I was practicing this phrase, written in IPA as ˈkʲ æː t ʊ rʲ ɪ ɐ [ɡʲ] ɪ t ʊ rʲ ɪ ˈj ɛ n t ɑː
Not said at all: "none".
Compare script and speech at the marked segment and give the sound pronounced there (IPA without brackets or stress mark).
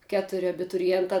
bʲ